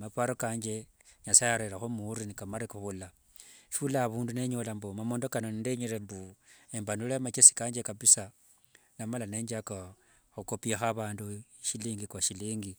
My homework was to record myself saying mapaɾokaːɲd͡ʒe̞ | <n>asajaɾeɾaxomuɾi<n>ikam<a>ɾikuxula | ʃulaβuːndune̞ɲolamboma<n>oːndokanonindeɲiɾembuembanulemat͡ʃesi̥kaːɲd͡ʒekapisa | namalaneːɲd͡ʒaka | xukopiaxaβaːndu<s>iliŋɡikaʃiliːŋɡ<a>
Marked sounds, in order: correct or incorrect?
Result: incorrect: ɲ, correct, correct, incorrect: m, incorrect: ʃ, incorrect: i

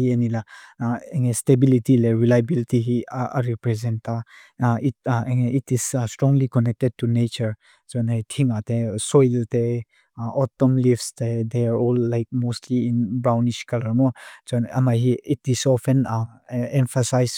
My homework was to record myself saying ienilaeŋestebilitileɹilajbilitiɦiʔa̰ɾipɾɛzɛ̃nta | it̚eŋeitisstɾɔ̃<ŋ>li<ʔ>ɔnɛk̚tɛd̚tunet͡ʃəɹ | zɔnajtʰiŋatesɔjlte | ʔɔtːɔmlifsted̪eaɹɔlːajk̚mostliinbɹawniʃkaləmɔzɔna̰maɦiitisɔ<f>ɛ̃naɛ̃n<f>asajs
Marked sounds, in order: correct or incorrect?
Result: correct, incorrect: k, correct, correct

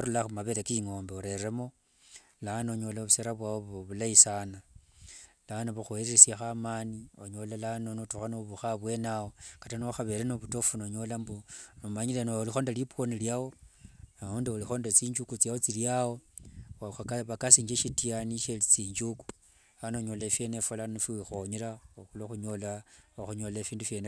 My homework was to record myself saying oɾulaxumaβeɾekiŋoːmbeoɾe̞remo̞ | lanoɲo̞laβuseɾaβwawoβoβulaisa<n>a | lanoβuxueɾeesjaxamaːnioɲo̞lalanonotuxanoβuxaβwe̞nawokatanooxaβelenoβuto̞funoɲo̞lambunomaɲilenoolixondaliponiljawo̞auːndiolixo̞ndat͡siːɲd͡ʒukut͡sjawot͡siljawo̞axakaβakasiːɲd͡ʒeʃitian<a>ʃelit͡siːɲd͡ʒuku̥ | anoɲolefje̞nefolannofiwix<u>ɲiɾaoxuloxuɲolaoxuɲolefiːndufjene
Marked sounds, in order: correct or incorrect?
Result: correct, incorrect: i, incorrect: o

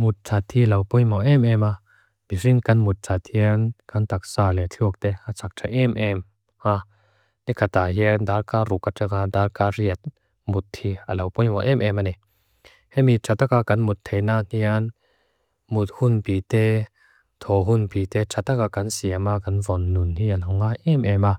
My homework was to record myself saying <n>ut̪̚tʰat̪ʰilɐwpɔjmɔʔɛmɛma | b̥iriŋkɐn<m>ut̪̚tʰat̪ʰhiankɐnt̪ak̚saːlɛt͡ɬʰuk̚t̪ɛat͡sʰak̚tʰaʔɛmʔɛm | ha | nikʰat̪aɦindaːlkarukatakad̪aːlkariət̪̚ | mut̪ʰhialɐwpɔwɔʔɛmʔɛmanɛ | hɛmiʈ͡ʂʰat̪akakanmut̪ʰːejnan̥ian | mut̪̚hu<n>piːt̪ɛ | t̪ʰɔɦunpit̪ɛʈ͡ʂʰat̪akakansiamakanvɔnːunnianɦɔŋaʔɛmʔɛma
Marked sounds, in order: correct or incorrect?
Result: incorrect: m, correct, correct

